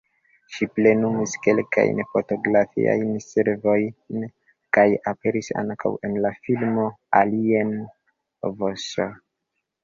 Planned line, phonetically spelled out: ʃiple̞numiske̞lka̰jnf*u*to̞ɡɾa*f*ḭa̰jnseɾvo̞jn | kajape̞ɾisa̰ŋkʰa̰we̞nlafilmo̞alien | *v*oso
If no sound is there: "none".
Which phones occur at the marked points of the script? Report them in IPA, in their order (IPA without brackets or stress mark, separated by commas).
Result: o, f, v